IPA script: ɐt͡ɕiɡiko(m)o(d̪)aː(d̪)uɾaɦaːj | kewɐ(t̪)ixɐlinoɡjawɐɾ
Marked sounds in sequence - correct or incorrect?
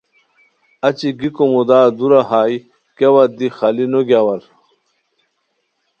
correct, correct, correct, incorrect: d̪

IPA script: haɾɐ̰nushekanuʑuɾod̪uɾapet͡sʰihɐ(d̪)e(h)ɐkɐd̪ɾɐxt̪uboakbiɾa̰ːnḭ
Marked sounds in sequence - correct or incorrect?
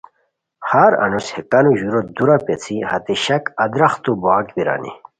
incorrect: t̪, incorrect: ɕ

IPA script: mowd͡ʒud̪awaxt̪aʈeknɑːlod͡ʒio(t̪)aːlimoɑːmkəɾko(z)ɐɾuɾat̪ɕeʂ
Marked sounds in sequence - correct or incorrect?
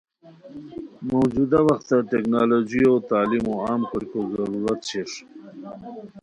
correct, correct

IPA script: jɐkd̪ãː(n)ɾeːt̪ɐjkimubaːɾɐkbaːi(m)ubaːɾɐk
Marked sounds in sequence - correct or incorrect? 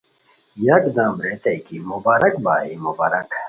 incorrect: m, correct

